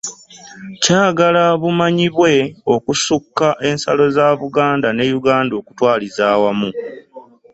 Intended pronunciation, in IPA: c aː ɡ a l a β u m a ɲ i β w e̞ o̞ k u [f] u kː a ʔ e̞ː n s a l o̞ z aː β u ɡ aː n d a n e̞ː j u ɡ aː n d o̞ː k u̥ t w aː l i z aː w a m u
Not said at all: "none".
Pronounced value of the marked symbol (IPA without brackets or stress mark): s